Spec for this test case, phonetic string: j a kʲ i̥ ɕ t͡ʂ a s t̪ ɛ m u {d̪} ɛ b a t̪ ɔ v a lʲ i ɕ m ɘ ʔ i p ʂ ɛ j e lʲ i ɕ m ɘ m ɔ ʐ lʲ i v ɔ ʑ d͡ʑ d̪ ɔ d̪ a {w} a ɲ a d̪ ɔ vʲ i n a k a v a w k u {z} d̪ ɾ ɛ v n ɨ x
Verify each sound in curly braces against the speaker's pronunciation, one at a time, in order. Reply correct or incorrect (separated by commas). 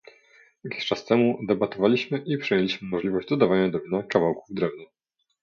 correct, incorrect, incorrect